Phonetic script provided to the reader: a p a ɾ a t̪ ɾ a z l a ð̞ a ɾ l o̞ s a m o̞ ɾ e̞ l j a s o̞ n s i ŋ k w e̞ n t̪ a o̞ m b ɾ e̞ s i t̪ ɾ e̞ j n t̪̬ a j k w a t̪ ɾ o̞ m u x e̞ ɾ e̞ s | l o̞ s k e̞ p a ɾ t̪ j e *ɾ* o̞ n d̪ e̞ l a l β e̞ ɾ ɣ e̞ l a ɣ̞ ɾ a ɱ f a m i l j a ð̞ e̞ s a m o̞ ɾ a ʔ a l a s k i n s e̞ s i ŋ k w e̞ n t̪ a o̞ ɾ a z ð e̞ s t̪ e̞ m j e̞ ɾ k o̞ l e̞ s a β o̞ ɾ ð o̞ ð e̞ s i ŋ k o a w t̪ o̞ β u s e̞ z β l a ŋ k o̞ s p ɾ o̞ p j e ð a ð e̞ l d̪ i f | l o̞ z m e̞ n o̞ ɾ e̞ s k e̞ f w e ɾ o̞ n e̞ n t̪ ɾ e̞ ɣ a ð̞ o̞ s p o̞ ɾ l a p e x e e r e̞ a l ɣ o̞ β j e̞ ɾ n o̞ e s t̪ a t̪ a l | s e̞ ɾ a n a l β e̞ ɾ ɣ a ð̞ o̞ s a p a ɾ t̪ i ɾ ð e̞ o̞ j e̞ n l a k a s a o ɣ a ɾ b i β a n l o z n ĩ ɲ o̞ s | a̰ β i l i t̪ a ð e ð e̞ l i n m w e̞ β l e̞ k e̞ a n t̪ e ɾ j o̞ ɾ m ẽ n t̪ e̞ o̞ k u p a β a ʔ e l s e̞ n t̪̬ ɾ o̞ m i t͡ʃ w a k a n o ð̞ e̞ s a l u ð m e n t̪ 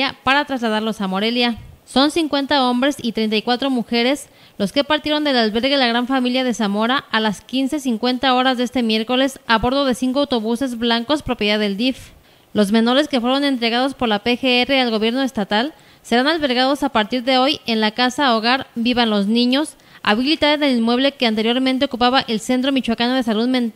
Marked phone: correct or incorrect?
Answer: correct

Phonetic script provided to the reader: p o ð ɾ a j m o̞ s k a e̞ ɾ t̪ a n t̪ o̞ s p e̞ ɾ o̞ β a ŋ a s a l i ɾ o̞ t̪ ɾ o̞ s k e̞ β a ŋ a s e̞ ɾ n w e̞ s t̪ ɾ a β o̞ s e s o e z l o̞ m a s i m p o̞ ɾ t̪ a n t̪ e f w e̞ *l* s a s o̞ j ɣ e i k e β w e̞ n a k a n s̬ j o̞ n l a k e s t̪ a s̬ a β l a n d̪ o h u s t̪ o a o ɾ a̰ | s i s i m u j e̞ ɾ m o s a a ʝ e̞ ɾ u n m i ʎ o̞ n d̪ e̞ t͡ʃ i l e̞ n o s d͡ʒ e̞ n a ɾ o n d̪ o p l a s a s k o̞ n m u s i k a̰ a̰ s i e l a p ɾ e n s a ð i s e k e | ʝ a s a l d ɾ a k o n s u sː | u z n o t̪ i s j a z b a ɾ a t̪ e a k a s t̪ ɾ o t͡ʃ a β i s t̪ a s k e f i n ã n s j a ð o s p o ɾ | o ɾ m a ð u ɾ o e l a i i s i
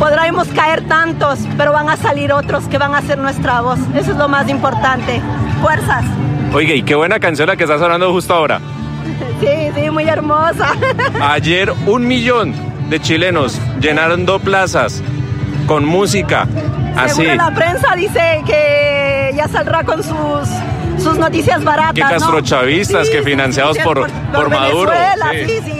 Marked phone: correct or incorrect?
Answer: incorrect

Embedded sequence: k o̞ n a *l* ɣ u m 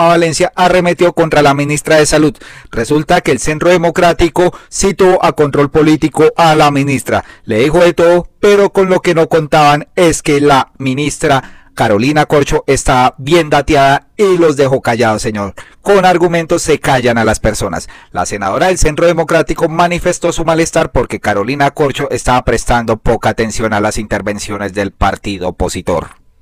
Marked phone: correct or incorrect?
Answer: incorrect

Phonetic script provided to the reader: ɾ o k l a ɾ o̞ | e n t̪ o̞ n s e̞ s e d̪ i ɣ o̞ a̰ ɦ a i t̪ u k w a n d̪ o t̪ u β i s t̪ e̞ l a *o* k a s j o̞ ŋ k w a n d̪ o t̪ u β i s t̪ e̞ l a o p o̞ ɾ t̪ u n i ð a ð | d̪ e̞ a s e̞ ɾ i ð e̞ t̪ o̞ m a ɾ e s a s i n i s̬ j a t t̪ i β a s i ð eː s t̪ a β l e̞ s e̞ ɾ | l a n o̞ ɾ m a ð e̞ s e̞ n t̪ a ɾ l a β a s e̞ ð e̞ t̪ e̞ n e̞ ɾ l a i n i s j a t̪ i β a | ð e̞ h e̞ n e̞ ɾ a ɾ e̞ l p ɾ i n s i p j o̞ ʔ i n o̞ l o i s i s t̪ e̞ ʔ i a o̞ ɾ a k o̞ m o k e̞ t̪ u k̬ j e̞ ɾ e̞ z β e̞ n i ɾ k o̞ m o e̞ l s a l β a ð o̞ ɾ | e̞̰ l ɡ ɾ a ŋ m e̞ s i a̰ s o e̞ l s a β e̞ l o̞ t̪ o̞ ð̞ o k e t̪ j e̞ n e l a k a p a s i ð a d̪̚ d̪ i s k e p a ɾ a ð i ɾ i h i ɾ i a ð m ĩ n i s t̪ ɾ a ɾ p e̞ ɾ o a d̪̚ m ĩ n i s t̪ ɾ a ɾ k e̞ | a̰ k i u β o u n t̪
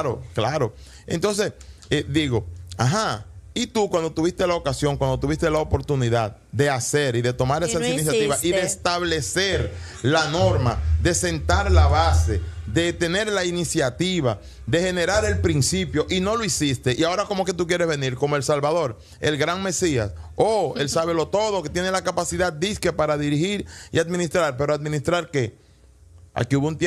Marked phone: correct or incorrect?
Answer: correct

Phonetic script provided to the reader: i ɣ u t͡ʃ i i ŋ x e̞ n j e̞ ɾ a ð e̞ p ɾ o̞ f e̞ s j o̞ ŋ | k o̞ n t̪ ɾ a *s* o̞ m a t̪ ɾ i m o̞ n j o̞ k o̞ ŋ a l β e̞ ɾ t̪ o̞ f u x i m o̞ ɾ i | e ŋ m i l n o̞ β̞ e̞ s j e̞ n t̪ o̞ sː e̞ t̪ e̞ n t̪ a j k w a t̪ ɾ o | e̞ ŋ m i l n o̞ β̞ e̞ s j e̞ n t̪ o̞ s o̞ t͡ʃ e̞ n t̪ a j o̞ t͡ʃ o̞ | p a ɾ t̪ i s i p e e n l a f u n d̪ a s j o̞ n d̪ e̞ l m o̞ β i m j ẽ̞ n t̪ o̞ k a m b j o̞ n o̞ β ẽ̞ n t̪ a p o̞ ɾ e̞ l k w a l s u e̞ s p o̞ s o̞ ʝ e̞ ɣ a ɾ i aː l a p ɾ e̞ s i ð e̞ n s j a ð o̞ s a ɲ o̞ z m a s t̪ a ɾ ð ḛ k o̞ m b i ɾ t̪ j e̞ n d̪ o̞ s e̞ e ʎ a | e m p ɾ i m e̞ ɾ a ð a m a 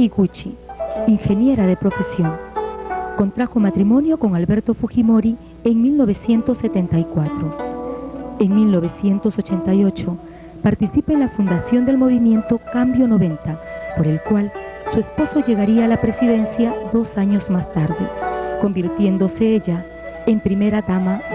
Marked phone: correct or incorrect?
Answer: incorrect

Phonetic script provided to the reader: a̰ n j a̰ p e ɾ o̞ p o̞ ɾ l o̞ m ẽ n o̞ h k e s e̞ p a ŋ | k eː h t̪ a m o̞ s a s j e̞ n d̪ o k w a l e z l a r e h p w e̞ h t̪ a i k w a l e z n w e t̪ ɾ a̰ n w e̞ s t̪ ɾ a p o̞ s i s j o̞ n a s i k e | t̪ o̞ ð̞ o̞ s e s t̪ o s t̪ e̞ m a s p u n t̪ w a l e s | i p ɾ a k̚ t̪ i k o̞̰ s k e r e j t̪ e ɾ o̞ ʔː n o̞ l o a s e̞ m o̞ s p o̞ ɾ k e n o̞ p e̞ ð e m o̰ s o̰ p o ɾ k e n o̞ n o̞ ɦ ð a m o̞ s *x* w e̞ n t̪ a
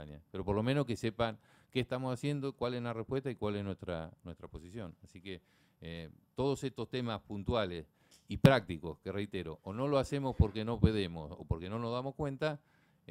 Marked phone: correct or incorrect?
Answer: incorrect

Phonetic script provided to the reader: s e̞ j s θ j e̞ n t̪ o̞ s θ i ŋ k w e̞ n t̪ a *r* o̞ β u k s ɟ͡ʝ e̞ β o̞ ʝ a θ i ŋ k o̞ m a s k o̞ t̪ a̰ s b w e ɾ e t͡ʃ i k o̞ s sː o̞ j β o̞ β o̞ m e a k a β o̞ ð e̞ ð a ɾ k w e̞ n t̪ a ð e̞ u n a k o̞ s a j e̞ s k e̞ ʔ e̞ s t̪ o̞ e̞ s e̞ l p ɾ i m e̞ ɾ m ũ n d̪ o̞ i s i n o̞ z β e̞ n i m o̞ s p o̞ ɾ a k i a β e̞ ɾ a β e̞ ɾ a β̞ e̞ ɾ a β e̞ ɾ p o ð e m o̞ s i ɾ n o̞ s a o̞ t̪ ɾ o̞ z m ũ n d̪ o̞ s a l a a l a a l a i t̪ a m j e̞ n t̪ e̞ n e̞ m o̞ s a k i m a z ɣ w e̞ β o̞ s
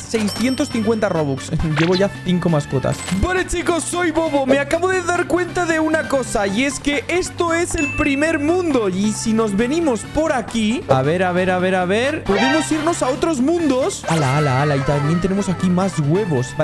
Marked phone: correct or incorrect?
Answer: correct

